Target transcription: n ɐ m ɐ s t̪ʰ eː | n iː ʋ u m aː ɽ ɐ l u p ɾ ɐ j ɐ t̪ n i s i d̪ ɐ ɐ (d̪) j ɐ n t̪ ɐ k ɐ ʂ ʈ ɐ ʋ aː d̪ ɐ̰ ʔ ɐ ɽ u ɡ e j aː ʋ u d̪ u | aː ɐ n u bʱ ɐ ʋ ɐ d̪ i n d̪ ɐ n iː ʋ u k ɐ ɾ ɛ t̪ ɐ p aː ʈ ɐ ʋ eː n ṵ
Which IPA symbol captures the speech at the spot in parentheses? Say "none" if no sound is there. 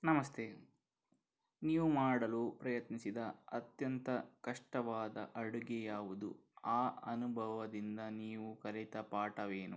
t̪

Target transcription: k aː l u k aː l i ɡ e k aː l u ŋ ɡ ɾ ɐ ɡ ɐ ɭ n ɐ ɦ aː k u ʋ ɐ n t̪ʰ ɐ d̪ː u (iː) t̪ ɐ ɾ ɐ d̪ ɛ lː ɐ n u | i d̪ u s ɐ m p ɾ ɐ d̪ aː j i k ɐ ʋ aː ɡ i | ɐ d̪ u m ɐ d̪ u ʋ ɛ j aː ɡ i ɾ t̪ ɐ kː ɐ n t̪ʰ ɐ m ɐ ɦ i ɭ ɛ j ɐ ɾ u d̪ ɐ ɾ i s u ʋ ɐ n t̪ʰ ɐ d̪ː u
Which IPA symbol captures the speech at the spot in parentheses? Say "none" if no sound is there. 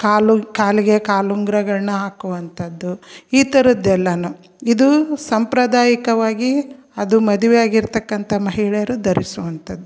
iː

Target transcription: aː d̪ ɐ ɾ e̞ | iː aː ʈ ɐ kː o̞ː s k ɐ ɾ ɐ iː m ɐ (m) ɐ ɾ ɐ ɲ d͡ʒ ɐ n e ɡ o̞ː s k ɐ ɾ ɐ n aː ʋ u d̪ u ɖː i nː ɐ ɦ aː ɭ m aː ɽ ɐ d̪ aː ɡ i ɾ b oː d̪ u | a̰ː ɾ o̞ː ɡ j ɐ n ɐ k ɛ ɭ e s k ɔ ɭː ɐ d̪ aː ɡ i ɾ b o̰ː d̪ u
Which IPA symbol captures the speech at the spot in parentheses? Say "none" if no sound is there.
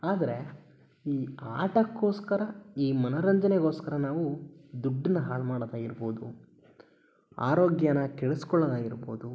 n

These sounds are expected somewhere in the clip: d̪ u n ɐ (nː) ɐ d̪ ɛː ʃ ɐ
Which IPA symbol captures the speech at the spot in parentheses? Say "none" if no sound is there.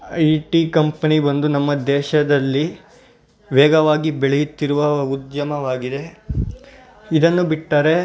mː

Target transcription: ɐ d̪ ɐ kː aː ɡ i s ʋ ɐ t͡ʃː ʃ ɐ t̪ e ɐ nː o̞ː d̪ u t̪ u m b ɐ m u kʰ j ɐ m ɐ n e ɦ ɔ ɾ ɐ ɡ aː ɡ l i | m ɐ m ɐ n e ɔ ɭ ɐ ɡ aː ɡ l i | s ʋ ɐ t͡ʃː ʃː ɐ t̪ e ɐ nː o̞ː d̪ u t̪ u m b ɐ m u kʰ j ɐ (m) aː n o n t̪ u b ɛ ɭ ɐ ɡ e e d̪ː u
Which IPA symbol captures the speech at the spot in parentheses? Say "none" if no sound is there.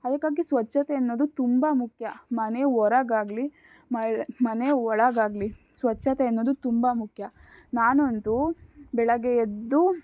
n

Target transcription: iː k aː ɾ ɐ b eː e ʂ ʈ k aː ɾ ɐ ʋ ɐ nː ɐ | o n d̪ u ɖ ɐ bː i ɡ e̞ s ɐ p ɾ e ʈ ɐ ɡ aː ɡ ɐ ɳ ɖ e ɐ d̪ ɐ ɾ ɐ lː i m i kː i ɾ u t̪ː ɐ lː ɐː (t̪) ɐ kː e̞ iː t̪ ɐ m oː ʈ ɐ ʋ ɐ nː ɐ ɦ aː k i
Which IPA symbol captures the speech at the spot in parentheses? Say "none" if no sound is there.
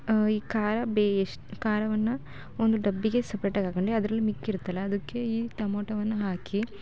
d̪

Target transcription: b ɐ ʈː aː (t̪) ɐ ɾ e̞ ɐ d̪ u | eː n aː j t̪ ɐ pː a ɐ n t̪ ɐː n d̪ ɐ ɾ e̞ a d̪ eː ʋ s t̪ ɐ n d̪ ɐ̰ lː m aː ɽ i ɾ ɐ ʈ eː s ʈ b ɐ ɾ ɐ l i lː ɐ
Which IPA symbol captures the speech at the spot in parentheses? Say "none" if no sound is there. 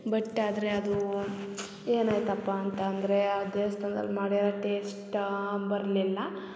d̪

